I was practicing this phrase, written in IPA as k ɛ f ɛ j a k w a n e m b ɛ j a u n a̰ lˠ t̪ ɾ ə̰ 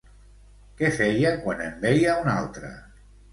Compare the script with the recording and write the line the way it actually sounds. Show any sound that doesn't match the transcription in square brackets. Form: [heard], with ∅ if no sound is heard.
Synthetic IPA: k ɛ f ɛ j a k w a n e m b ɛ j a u n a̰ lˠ t̪ ɾ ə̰

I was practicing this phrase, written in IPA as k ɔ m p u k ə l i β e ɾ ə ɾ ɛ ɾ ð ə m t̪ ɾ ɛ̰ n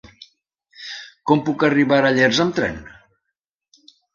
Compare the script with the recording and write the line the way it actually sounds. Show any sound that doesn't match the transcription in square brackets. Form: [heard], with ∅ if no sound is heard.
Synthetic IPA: k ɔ m p u k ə [r] i β [a] ɾ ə [ʎ] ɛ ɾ [z] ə m t̪ ɾ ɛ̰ n

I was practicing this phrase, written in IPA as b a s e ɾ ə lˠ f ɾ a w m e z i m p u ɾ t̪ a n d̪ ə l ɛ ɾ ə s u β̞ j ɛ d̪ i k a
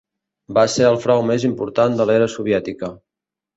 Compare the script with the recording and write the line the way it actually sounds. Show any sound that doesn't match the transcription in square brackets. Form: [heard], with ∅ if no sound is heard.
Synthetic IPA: b a s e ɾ ə lˠ f ɾ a w m e z i m p u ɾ t̪ a n d̪ ə l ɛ ɾ ə s u β̞ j ɛ [t̪] i k [ə]

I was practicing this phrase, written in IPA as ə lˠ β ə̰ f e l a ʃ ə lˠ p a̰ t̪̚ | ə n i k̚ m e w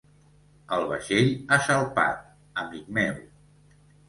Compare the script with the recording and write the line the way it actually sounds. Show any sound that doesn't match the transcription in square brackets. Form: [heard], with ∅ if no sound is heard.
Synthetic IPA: ə lˠ β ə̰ [ʃ] e [ʎ] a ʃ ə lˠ p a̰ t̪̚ | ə [m] i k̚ m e w

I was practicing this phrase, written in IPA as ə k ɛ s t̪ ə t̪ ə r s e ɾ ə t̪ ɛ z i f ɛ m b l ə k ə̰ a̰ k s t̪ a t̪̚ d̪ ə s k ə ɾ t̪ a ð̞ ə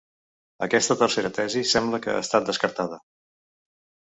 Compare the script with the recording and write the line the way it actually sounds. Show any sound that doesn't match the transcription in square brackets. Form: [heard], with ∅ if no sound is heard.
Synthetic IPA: ə k ɛ s t̪ ə t̪ ə r s e ɾ ə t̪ ɛ z i [s] ɛ m b l ə k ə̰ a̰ [∅] s t̪ a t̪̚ d̪ ə s k ə ɾ t̪ a ð̞ ə

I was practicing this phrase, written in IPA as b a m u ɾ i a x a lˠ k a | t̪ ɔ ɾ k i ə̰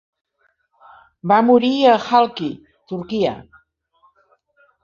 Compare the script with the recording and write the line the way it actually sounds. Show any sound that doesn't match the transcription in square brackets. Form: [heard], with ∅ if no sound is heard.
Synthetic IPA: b a m u ɾ i [ə] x a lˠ k [i] | t̪ [u] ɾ k i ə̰

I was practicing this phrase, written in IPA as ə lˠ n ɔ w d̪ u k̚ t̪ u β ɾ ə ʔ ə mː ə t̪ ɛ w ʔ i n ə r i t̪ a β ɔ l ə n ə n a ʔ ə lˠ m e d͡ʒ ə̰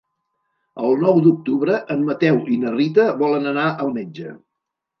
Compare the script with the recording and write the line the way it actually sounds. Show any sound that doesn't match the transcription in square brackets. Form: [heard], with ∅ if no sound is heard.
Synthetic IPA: ə lˠ n ɔ w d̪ u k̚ t̪ u β ɾ ə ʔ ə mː ə t̪ ɛ w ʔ i n ə r i t̪ [ə] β ɔ l ə n ə n a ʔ ə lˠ m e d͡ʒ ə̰

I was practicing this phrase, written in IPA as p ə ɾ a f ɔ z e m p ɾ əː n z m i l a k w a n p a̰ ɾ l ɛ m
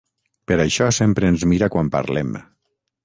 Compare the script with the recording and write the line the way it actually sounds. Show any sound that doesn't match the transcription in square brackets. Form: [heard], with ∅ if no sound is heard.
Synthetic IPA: p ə ɾ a [ʃ] ɔ [s] e m p ɾ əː n z m i [ɾ] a k w a [m] p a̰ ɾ l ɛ m

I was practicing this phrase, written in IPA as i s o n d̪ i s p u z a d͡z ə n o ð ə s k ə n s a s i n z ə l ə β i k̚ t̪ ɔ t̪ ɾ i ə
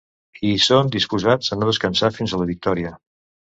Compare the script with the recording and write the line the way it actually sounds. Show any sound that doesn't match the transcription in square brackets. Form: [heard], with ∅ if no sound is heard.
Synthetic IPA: i s o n d̪ i s p u z a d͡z ə n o ð ə s k ə n s a [f] i n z ə l ə β i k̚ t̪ ɔ [∅] ɾ i ə

